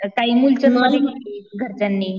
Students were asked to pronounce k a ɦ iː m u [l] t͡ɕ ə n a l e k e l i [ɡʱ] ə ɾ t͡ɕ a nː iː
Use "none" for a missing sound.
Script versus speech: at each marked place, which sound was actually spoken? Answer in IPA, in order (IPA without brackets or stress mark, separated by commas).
l, ɡʱ